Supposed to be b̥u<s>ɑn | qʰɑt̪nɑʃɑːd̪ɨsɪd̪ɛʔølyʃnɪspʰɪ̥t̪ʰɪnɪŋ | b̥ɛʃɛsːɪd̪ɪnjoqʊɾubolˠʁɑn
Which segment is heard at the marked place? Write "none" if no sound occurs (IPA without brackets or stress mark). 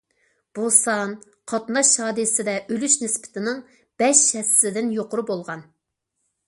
s